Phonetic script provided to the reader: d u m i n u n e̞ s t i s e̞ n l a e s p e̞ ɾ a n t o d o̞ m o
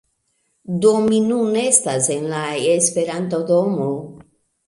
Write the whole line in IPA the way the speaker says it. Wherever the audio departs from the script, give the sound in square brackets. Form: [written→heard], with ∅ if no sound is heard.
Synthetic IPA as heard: d [u→o] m i n u n e̞ s t [i→a] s e̞ n l a e s p e̞ ɾ a n t o d o̞ m o